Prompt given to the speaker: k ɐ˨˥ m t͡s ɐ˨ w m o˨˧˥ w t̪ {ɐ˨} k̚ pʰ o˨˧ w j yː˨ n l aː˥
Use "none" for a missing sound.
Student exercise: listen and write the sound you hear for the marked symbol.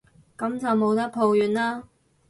ɐ˥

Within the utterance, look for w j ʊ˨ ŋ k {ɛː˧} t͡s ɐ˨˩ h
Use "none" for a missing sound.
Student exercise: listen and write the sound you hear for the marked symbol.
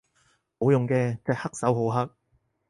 ɛː˧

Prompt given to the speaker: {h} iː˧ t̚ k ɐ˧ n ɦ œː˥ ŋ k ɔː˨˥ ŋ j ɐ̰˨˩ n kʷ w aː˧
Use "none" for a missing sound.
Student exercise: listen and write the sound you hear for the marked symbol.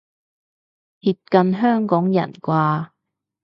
h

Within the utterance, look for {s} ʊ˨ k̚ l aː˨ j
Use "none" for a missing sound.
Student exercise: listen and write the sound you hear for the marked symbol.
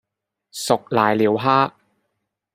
s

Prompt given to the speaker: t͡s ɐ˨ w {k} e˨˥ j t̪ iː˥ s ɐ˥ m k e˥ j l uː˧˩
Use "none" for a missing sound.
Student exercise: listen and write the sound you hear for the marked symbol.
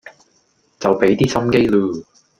p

